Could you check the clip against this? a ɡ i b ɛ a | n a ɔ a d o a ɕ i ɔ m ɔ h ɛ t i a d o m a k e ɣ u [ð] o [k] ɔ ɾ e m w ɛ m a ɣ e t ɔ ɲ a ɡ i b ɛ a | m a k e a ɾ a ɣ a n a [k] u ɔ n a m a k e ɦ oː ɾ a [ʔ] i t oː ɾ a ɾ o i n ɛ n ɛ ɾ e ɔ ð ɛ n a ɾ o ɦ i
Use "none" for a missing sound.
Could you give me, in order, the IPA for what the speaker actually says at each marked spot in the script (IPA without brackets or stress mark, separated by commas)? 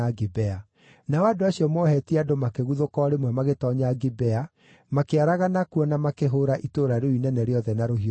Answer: ð, k, k, ʔ